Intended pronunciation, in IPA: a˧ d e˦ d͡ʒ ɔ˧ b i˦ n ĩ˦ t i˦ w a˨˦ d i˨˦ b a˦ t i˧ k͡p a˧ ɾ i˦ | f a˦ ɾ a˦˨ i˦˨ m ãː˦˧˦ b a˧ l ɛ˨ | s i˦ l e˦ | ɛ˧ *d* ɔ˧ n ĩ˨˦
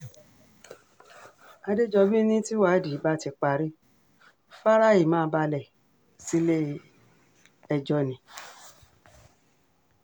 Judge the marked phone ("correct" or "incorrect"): incorrect